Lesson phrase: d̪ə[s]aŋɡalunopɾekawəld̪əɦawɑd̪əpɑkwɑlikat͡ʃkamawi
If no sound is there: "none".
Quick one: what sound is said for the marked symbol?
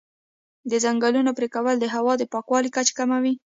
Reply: z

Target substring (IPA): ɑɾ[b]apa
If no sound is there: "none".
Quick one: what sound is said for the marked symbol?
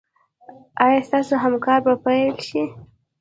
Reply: b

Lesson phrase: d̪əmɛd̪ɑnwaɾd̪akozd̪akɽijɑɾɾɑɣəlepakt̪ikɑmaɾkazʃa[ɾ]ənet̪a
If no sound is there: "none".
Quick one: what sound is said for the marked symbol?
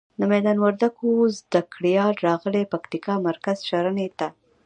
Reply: ɾ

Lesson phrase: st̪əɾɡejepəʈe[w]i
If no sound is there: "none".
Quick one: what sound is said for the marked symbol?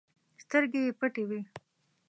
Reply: w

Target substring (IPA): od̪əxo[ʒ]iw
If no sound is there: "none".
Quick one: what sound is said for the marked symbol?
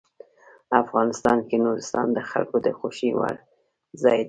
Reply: ʃ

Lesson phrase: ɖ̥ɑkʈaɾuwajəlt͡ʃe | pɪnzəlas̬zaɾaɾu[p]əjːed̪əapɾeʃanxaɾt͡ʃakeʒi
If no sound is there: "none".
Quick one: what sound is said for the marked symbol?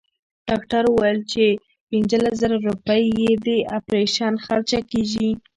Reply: p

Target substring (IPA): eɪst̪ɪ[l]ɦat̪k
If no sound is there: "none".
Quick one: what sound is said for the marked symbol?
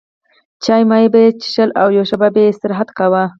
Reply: ɾ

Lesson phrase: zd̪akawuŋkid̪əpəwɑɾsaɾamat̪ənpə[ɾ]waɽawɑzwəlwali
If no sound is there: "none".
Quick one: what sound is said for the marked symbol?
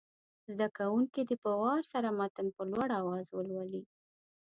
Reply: l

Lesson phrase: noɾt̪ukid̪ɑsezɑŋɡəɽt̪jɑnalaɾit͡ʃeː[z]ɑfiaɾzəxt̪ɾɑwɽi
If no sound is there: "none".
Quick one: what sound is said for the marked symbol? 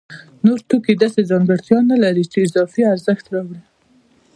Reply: z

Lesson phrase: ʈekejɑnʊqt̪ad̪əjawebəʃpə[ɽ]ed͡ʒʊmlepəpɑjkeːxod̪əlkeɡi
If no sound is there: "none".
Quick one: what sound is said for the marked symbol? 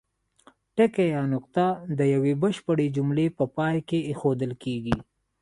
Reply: ɽ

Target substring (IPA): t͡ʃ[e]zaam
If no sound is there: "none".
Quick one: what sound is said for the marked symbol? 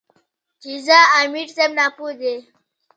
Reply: i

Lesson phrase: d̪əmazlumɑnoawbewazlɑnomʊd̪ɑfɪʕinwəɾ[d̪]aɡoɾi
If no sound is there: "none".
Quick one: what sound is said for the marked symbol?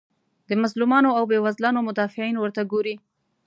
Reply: t̪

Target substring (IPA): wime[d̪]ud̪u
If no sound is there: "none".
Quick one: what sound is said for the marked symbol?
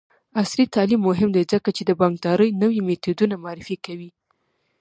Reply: t̪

